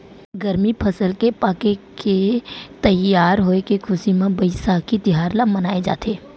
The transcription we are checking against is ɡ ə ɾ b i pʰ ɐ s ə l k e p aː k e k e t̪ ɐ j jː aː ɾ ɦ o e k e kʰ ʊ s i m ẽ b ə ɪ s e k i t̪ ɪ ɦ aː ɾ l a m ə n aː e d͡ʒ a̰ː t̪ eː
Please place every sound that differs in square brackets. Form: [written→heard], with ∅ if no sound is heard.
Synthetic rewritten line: ɡ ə ɾ [b→m] i pʰ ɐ s ə l k e p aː k e k e t̪ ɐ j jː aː ɾ ɦ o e k e kʰ ʊ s i m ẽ b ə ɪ s [e→a] k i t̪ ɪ ɦ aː ɾ l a m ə n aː e d͡ʒ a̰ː t̪ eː